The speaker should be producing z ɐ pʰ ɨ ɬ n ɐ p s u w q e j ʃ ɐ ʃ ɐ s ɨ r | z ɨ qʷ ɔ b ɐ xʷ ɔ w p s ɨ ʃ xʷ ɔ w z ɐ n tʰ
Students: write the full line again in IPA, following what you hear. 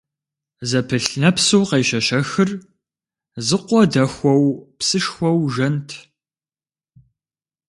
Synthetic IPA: z ɐ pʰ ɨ ɬ n ɐ p s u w q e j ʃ ɐ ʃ ɐ x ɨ r | z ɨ qʷ ɔ d ɐ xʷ ɔ w p s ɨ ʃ xʷ ɔ w ʒ ɐ n tʰ

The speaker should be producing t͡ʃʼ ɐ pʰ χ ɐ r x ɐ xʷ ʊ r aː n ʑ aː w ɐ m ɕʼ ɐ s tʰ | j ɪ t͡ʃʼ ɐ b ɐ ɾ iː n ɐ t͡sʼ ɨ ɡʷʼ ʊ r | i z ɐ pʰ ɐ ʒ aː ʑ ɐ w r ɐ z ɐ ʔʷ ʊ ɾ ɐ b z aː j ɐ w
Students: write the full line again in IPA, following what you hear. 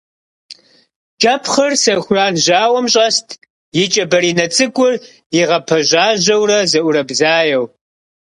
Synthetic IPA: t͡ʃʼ ɐ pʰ χ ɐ r s ɐ xʷ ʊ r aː n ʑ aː w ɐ m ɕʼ ɐ s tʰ | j ɪ t͡ʃʼ ɐ b ɐ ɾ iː n ɐ t͡sʼ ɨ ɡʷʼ ʊ r | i ʁ ɐ pʰ ɐ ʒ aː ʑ ɐ w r ɐ z ɐ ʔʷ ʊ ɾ ɐ b z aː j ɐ w

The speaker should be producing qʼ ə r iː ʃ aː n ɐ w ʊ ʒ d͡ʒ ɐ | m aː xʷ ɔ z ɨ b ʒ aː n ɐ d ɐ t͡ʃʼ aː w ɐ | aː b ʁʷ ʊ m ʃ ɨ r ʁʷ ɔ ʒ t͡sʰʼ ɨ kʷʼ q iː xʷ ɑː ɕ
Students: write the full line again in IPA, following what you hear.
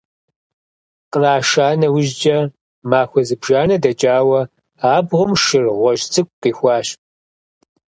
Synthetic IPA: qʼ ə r aː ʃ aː n ɐ w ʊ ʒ d͡ʒ ɐ | m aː xʷ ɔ z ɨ b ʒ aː n ɐ d ɐ t͡ʃʼ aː w ɐ | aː b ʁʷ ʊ m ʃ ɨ r ʁʷ ɔ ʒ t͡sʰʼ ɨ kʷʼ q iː xʷ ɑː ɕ

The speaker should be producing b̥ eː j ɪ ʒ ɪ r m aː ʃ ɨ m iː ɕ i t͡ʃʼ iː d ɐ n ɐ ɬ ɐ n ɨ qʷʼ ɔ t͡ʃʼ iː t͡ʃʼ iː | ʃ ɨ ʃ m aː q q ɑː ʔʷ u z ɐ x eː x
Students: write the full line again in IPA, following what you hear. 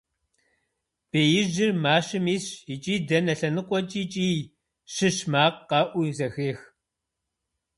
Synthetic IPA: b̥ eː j ɪ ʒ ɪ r m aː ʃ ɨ m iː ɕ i t͡ʃʼ iː d ɐ n ɐ ɬ ɐ n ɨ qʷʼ ɔ t͡ʃʼ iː t͡ʃʼ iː | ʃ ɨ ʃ m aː q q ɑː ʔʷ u z ɐ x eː x

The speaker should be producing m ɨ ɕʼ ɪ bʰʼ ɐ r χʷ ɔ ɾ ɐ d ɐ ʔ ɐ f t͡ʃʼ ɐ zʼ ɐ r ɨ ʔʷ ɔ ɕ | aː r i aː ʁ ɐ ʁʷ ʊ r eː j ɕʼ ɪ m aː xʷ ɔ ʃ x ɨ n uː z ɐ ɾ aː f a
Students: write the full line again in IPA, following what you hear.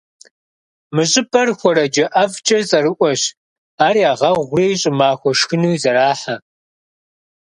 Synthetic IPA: m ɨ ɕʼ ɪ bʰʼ ɐ r xʷ ɔ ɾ ɐ d͡ʒ ɐ ʔ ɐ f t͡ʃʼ ɐ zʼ ɐ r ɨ ʔʷ ɔ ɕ | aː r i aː ʁ ɐ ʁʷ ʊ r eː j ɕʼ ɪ m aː xʷ ɔ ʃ x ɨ n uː z ɐ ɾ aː ħ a

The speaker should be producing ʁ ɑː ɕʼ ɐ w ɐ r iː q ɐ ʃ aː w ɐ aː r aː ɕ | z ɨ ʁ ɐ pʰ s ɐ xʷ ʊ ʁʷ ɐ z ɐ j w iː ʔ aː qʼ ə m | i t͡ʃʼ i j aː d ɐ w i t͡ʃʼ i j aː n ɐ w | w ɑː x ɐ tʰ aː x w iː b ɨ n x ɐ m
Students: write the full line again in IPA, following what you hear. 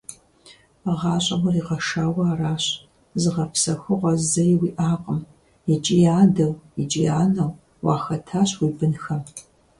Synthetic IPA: ʁ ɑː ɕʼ ɐ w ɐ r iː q ɐ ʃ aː w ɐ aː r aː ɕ | z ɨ ʁ ɐ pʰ s ɐ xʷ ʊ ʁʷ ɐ z ɐ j w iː ʔ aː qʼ ə m | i t͡ʃʼ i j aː d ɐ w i t͡ʃʼ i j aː n ɐ w | w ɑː x ɐ tʰ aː ɕ w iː b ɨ n x ɐ m

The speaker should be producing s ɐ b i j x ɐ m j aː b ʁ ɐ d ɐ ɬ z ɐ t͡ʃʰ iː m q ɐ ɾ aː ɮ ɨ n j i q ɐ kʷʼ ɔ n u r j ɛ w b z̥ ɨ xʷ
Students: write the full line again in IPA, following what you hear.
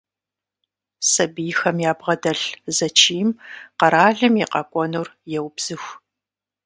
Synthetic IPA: s ɐ b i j x ɐ m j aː b ʁ ɐ d ɐ ɬ z ɐ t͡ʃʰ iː m q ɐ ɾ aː ɮ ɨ m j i q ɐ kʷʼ ɔ n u r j ɛ w b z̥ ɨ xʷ

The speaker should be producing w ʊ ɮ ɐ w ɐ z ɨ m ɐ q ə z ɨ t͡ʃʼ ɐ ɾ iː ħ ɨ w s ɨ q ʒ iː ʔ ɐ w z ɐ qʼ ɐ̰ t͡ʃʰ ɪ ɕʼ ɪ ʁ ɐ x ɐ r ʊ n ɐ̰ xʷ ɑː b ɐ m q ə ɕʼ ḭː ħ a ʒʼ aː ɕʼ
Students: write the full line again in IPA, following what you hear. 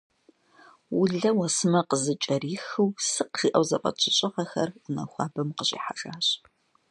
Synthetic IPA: w ʊ ɮ ɐ w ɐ s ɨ m ɐ q ə z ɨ t͡ʃʼ ɐ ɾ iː x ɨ w s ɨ q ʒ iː ʔ ɐ w z ɐ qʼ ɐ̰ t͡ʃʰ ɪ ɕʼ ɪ ʁ ɐ x ɐ r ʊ n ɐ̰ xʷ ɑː b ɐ m q ə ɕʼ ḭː ħ a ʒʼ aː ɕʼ

